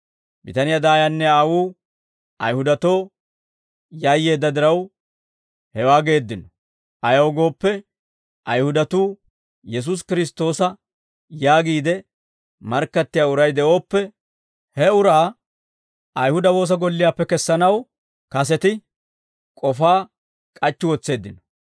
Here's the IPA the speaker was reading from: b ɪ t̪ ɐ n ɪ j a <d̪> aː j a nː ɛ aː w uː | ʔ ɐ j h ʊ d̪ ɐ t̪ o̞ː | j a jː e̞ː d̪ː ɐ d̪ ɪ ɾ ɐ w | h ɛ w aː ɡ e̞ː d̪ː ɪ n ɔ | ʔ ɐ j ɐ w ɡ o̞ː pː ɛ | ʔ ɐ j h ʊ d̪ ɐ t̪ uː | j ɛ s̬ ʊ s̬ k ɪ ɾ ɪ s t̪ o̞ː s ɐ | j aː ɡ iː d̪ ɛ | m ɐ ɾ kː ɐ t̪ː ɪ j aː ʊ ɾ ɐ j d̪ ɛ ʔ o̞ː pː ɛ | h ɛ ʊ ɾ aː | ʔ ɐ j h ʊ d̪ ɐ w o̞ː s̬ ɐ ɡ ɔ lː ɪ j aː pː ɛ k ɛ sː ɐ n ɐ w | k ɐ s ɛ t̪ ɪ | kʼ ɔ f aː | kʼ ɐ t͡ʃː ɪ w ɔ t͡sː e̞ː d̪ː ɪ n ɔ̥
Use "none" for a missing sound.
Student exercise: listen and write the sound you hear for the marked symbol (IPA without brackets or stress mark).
d̪